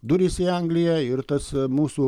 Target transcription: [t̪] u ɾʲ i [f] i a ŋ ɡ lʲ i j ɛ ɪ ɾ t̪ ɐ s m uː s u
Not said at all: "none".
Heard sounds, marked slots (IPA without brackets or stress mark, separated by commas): d̪, s